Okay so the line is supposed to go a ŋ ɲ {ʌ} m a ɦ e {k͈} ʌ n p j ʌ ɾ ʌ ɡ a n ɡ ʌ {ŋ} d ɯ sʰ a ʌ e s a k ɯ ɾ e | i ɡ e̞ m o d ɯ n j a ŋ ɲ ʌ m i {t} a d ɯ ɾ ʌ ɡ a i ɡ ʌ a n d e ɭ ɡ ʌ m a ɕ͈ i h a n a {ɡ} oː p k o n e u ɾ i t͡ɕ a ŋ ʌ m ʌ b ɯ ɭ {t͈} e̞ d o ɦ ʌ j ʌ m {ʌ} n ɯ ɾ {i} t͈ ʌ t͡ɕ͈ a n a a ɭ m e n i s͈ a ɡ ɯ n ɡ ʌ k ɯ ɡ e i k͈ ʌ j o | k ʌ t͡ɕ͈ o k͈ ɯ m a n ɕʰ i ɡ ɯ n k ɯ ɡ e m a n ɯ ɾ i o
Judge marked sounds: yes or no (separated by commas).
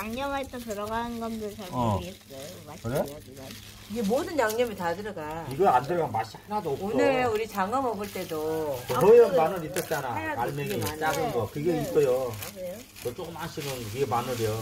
yes, no, no, yes, no, yes, no, yes